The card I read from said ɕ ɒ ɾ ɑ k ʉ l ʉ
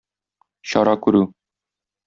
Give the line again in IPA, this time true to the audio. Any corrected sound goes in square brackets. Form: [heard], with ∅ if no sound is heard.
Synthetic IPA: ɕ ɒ ɾ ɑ k ʉ [ɾ] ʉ